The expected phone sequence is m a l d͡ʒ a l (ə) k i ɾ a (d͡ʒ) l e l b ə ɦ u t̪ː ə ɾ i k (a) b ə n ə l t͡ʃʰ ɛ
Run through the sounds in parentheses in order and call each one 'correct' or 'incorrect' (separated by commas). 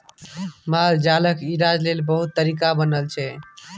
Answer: correct, correct, correct